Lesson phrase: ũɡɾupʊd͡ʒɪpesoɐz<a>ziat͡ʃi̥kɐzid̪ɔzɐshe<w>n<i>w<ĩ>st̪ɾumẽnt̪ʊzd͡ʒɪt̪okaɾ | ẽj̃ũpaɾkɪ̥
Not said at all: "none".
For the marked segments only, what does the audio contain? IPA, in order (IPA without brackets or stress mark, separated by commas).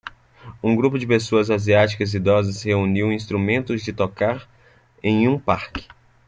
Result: a, u, i, ĩ